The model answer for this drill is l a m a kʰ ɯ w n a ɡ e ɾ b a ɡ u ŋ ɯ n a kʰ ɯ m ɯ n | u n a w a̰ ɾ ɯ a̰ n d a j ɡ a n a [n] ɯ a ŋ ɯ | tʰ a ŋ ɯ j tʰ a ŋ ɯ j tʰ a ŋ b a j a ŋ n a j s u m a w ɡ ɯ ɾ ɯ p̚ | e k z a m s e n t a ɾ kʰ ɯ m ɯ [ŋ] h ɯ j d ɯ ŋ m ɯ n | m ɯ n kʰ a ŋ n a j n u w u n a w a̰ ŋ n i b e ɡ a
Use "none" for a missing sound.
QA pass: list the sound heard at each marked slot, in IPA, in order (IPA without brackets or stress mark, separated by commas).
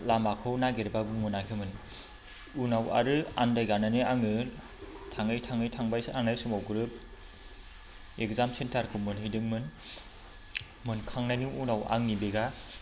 n, n